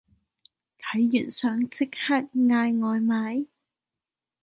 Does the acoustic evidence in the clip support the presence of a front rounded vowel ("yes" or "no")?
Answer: yes